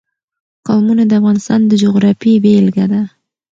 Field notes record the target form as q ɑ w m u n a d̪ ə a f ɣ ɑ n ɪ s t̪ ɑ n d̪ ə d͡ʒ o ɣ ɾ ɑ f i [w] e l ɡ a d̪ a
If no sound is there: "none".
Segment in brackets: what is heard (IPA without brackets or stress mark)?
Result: b